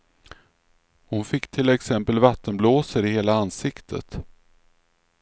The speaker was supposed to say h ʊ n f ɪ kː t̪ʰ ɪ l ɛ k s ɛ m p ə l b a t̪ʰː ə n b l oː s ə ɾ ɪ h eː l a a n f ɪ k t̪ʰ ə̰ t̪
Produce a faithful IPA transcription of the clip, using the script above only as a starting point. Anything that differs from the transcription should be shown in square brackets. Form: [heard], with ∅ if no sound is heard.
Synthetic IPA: h ʊ n f ɪ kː t̪ʰ ɪ l ɛ k s ɛ m p ə l [v] a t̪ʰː ə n b l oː s ə ɾ ɪ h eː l a a n [s] ɪ k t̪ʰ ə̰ t̪

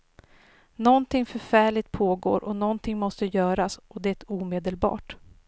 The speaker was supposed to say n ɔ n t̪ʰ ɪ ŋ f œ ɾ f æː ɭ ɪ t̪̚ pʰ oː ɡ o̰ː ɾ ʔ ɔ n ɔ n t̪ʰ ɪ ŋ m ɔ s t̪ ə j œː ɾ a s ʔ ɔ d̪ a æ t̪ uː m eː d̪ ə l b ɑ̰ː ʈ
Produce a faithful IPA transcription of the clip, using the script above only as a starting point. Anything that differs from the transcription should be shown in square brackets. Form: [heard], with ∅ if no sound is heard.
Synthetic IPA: n ɔ n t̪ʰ ɪ ŋ f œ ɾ f æː ɭ ɪ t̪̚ pʰ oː ɡ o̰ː ɾ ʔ ɔ n ɔ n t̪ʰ ɪ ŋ m ɔ s t̪ ə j œː ɾ a s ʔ ɔ d̪ [ɛ] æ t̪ uː m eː d̪ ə l b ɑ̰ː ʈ

